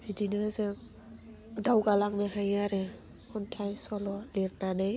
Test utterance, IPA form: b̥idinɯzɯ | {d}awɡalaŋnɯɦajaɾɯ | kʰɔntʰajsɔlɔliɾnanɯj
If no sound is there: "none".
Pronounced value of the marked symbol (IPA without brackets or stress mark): d